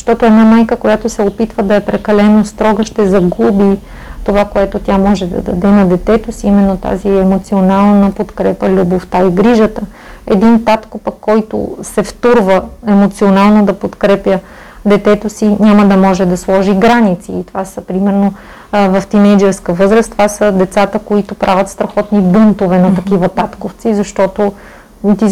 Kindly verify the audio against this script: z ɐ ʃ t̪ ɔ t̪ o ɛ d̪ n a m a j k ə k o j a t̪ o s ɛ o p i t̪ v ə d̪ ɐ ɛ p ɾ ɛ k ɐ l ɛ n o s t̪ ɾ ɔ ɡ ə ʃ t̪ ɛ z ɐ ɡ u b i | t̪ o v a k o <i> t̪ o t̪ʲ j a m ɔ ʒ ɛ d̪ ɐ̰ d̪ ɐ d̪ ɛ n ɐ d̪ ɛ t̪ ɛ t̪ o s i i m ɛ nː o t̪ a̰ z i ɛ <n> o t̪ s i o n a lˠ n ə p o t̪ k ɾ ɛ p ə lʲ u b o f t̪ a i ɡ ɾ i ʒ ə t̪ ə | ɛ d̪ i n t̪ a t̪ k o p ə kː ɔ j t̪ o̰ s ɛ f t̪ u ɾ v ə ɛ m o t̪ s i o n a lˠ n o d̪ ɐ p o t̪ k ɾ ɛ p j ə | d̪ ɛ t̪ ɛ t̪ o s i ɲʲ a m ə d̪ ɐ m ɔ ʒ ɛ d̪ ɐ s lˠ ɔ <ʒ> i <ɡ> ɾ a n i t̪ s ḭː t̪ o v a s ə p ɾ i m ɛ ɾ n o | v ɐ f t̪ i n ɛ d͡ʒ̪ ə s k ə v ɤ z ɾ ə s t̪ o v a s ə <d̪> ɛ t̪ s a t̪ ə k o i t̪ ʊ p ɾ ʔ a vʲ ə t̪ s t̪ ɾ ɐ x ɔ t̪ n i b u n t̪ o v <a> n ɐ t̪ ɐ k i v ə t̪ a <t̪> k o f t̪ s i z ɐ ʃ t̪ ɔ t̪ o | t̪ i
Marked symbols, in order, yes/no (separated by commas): no, no, yes, yes, yes, no, yes